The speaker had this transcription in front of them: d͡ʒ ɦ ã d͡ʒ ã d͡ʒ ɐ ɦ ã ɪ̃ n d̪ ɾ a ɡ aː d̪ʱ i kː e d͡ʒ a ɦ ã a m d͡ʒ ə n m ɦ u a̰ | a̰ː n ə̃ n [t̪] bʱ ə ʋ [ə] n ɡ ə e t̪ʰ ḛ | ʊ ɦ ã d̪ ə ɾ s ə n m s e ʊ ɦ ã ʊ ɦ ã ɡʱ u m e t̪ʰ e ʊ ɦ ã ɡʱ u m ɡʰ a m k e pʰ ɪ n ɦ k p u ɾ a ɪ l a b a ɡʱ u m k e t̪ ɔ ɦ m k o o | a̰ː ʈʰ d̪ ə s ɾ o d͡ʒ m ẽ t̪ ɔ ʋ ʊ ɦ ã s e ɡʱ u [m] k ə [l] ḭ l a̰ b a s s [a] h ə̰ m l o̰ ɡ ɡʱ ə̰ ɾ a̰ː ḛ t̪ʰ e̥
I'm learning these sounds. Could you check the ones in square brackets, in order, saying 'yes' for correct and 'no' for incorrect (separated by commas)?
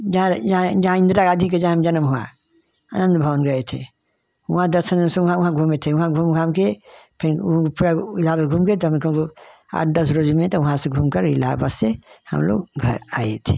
no, yes, yes, no, no